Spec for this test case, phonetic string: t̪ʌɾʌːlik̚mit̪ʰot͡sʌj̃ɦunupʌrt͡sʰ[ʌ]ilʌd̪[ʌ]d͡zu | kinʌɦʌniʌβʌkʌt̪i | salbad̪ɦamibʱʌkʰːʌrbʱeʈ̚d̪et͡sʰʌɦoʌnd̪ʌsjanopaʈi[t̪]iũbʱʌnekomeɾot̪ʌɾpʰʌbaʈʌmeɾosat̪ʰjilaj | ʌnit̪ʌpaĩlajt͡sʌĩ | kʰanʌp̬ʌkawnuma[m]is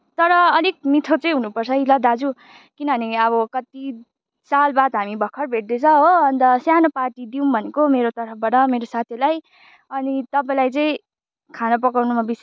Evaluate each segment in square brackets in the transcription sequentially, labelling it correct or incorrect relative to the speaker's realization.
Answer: correct, incorrect: a, incorrect: d̪, incorrect: b

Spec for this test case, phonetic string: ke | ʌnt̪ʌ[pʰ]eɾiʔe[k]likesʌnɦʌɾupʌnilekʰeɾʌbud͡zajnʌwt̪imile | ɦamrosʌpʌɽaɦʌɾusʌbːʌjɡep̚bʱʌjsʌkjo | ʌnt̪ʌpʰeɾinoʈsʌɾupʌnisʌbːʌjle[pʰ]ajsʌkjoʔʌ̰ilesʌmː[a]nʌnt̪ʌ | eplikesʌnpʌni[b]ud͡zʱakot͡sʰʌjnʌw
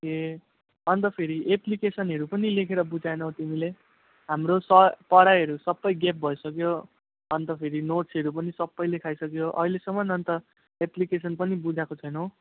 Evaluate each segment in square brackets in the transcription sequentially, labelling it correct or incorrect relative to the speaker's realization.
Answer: correct, incorrect: p, incorrect: kʰ, incorrect: ʌ, correct

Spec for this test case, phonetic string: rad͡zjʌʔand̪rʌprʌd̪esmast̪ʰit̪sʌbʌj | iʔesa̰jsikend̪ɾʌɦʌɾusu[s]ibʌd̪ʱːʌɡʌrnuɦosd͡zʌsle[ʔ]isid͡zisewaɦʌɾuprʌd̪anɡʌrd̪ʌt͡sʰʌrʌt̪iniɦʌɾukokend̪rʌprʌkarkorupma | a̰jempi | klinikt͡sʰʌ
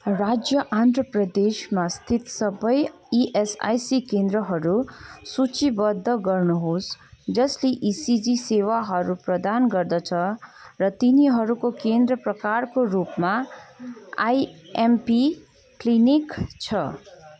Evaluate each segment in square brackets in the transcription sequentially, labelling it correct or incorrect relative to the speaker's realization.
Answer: incorrect: t͡s, correct

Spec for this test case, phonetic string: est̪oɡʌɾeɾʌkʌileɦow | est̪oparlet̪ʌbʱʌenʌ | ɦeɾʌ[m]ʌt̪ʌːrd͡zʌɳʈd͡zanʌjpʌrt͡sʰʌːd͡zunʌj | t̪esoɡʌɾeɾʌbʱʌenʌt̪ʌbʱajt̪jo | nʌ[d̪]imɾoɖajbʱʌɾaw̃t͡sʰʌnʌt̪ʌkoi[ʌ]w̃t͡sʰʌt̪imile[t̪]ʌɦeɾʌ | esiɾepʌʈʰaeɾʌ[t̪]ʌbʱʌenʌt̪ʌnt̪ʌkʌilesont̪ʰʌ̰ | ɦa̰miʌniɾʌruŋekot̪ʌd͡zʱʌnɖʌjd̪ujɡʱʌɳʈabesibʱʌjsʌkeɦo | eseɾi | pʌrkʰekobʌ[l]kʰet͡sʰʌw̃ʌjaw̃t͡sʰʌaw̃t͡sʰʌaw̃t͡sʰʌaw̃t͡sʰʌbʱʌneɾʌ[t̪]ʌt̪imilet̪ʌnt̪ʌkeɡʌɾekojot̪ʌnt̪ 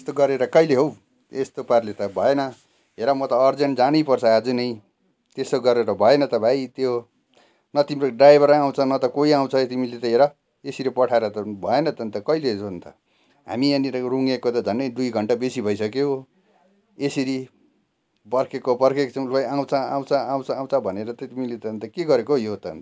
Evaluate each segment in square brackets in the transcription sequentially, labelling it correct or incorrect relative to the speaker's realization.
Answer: correct, incorrect: t̪, incorrect: a, correct, correct, incorrect: r, correct

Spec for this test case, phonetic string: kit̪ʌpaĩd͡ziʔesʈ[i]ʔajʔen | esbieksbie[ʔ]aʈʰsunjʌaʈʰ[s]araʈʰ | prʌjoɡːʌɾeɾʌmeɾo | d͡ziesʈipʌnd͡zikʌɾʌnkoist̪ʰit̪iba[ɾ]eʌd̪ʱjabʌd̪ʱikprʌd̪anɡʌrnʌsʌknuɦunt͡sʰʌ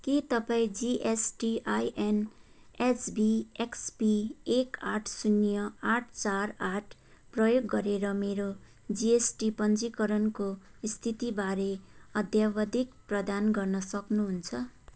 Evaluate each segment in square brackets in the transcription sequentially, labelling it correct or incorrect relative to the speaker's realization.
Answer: correct, incorrect: k, incorrect: t͡s, correct

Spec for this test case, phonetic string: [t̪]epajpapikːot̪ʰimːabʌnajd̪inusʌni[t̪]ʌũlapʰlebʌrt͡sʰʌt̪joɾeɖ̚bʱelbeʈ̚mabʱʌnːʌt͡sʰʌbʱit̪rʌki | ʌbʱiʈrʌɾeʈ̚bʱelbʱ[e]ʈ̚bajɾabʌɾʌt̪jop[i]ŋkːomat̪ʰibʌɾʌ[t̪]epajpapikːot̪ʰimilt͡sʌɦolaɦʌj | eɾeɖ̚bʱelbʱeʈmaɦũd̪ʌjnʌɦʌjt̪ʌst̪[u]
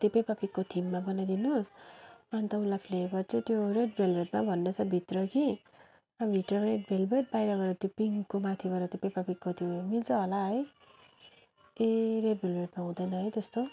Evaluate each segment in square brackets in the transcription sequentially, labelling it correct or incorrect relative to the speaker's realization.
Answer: correct, correct, correct, correct, correct, incorrect: o

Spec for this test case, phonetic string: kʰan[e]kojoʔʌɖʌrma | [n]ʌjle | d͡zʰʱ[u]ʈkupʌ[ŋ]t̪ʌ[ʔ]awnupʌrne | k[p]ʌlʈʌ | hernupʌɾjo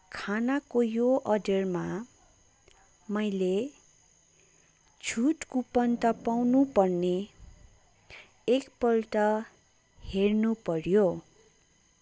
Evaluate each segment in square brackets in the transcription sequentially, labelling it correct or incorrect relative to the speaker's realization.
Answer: incorrect: a, incorrect: m, correct, incorrect: n, incorrect: p, correct

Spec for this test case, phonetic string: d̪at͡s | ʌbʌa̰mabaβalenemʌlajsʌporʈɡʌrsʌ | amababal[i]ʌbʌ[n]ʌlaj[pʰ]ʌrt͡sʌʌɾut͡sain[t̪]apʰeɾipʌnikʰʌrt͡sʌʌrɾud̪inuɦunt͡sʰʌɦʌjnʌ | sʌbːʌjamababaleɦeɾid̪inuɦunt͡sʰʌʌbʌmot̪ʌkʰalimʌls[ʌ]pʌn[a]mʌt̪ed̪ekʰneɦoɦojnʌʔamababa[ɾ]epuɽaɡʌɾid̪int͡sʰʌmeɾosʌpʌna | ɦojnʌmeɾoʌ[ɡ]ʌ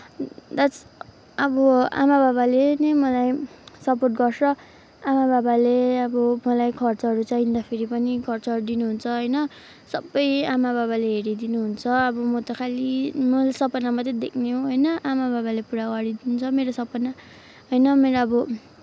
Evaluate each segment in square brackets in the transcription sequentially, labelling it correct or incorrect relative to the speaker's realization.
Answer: incorrect: e, incorrect: m, incorrect: kʰ, incorrect: d̪, correct, correct, incorrect: l, incorrect: b

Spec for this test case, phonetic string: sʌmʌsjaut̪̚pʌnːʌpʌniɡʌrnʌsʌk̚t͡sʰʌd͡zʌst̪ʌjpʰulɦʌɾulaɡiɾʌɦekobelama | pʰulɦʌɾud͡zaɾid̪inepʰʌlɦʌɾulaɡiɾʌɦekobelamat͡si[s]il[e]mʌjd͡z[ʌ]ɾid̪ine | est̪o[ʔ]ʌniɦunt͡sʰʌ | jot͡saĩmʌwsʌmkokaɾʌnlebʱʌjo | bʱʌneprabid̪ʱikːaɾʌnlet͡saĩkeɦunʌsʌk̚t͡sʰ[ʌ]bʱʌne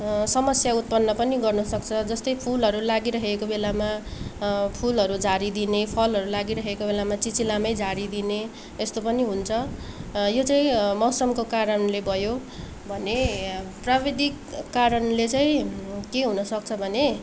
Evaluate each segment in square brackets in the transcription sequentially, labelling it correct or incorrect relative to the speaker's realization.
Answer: incorrect: t͡s, incorrect: a, incorrect: a, incorrect: p, correct

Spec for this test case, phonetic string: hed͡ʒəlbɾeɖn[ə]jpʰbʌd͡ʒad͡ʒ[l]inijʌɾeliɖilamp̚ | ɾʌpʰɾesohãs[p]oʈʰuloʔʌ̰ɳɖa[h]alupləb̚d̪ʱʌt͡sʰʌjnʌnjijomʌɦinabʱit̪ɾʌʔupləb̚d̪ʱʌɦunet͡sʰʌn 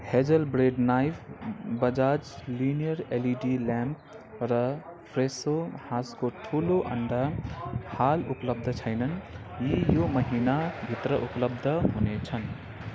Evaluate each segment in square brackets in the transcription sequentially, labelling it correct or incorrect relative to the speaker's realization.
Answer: incorrect: a, correct, incorrect: k, correct

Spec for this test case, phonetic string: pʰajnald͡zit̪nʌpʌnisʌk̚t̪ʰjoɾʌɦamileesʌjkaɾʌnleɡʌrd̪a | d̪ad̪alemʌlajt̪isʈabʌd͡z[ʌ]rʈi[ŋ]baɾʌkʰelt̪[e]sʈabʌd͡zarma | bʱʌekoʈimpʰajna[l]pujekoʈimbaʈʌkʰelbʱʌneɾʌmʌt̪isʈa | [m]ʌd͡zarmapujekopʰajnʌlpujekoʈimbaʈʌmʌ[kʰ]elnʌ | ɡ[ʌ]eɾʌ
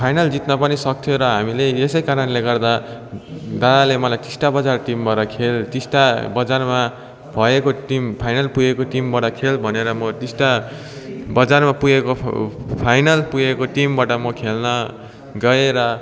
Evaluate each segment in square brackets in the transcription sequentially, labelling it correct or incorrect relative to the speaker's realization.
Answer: incorrect: a, incorrect: m, incorrect: i, correct, incorrect: b, correct, correct

